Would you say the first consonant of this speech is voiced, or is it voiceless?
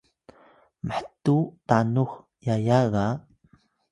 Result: voiced